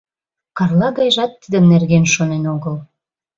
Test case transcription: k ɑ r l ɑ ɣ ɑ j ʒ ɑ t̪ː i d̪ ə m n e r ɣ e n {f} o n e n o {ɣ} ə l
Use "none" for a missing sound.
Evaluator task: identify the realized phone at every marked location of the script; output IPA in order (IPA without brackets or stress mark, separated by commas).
ʃ, ɣ